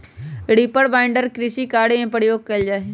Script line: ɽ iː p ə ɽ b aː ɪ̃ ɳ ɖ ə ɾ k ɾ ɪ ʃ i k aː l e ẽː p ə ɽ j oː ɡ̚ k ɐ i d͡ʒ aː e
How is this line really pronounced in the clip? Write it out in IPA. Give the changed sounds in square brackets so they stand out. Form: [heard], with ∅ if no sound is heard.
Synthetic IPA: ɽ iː p ə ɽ b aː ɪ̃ ɳ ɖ ə ɾ k ɾ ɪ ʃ i k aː [ɽ] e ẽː p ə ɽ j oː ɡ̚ k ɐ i d͡ʒ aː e